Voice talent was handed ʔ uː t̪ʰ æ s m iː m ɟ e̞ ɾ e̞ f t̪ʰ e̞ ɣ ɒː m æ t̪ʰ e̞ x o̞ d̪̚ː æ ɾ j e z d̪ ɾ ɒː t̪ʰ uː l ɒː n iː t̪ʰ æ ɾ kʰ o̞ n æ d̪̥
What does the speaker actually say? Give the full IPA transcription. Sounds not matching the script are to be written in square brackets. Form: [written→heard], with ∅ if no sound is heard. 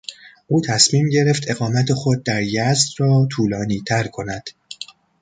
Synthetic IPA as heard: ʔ uː t̪ʰ æ s m iː m ɟ e̞ ɾ e̞ f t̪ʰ e̞ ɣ ɒː m æ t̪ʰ e̞ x o̞ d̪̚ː æ ɾ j [e→æ] z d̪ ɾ ɒː t̪ʰ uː l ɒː n iː t̪ʰ æ ɾ kʰ o̞ n æ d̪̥